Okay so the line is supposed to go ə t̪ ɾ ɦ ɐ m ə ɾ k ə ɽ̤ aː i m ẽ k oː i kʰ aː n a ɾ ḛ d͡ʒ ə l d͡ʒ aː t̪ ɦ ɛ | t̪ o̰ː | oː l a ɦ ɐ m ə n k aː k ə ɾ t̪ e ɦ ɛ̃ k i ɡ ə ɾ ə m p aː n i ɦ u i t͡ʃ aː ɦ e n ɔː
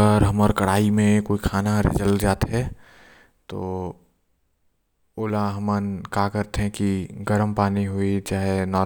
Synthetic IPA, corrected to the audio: ə ɾ ɦ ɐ m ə ɾ k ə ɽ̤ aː i m ẽ k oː i kʰ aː n a ɾ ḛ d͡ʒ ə l d͡ʒ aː t̪ ɦ ɛ | t̪ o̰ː | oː l a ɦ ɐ m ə n k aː k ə ɾ t̪ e ɦ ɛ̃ k i ɡ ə ɾ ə m p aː n i ɦ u i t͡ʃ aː ɦ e n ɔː

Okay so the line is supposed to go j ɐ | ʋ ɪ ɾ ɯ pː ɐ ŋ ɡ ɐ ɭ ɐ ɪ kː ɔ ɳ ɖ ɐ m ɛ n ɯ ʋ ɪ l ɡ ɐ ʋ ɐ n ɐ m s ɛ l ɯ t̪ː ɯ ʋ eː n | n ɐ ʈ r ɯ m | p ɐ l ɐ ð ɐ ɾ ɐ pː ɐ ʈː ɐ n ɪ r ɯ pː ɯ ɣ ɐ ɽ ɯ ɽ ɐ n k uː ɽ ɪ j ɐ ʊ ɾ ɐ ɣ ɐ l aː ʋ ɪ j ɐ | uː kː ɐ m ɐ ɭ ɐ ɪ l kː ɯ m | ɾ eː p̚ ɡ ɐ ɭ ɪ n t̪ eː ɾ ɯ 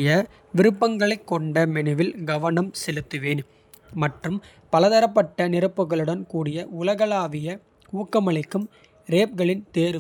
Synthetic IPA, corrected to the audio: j ɐ | ʋ ɪ ɾ ɯ pː ɐ ŋ ɡ ɐ ɭ ɐ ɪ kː ɔ ɳ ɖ ɐ m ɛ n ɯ ʋ ɪ l ɡ ɐ ʋ ɐ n ɐ m s ɛ l ɯ t̪ː ɯ ʋ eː n | m ɐ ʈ r ɯ m | p ɐ l ɐ ð ɐ ɾ ɐ pː ɐ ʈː ɐ n ɪ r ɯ pː ɯ ɣ ɐ ɭ ɯ ɽ ɐ n k uː ɽ ɪ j ɐ ʊ l ɐ ɣ ɐ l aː ʋ ɪ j ɐ | uː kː ɐ m ɐ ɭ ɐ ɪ kː ɯ m | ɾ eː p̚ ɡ ɐ ɭ ɪ n t̪ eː ɾ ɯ

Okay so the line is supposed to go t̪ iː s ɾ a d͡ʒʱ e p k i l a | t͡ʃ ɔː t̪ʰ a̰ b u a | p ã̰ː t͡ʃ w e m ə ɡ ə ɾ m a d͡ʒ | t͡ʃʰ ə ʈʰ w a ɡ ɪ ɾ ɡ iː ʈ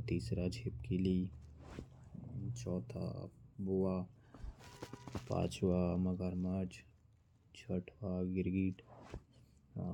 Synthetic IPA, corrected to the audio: t̪ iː s ɾ a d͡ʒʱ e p k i l i | t͡ʃ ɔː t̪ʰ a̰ b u a | p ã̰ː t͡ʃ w a m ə ɡ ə ɾ m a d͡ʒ | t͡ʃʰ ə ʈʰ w a ɡ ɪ ɾ ɡ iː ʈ

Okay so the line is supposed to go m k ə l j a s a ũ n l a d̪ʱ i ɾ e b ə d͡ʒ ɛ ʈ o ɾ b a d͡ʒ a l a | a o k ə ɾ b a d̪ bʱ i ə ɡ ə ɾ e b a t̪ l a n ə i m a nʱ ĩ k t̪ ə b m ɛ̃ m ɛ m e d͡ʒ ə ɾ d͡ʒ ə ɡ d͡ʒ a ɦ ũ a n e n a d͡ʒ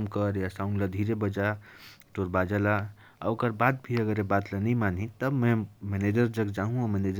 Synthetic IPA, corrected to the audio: m k ə ɾ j a s a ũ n l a d̪ʱ i ɾ e b ə d͡ʒ a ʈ o ɾ b a d͡ʒ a l a | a o k ə ɾ b a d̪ bʱ i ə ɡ ə ɾ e b a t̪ l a n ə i m a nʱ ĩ t̪ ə b m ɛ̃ m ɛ n e d͡ʒ ə ɾ d͡ʒ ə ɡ d͡ʒ a ɦ ũ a m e n e d͡ʒ

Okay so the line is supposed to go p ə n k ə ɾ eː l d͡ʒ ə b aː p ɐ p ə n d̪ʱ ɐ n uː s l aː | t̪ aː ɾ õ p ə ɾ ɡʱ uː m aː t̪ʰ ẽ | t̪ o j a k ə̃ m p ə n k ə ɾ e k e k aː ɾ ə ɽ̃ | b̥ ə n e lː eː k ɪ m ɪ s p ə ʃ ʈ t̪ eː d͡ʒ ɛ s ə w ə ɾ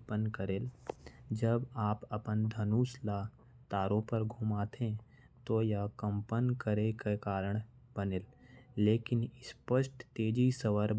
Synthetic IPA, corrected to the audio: p ə n k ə ɾ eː l d͡ʒ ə b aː p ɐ p ə n d̪ʱ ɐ n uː s l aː | t̪ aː ɾ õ p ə ɾ ɡʱ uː m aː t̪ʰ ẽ | t̪ o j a k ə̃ m p ə n k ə ɾ e k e k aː ɾ ə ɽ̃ | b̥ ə n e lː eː k ɪ n ɪ s p ə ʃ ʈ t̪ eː d͡ʒ i s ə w ə ɾ

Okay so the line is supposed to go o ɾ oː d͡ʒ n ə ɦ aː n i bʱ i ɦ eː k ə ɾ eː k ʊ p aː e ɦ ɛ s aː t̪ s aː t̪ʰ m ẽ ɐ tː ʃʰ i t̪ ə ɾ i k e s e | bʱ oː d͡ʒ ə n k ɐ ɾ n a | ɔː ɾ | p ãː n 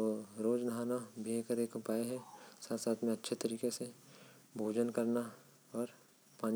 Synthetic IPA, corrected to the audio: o ɾ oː d͡ʒ n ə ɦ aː n a bʱ i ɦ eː k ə ɾ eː k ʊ p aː e ɦ ɛ s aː t̪ s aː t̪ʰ m ẽ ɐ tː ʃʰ e t̪ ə ɾ iː k e s e | bʱ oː d͡ʒ ə n k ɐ ɾ n a | ɔː ɾ | p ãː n

